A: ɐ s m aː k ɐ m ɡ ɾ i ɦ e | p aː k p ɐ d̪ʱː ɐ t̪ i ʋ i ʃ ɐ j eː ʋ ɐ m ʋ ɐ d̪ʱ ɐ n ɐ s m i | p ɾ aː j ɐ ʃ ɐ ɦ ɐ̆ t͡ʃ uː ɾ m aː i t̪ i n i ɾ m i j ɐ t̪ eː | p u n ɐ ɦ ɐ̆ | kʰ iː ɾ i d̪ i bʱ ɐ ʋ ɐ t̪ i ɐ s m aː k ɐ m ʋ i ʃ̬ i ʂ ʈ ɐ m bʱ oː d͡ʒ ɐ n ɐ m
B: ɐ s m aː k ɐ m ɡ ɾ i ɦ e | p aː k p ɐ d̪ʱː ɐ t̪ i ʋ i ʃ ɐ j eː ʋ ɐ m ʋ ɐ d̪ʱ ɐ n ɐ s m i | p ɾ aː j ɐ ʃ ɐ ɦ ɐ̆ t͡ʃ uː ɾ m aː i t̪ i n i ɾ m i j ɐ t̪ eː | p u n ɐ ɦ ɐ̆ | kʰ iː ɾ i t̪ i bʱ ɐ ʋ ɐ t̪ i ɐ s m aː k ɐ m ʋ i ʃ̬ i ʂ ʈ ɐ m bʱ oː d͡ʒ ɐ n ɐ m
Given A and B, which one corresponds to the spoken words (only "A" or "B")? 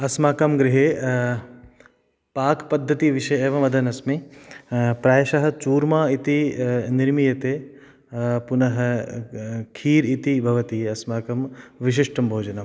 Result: B